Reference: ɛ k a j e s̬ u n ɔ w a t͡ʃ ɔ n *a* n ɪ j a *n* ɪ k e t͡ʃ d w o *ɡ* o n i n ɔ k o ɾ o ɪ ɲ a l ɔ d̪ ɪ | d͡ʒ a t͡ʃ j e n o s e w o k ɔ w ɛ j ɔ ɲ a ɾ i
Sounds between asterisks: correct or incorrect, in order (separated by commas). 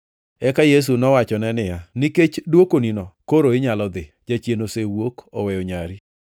incorrect, correct, incorrect